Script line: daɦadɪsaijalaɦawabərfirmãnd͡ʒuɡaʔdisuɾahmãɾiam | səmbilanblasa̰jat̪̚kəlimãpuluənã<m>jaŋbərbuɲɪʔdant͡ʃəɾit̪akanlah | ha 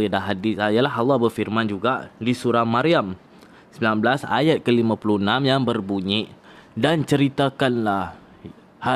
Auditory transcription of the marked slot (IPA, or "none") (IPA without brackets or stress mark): m